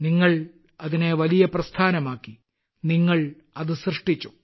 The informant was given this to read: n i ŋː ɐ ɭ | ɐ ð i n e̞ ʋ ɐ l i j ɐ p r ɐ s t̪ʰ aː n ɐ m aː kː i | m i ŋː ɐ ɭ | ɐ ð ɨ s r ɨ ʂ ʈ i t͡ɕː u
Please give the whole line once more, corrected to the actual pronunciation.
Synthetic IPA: n i ŋː ɐ ɭ | ɐ ð i n e̞ ʋ ɐ l i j ɐ p r ɐ s t̪ʰ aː n ɐ m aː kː i | n i ŋː ɐ ɭ | ɐ ð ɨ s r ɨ ʂ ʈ i t͡ɕː u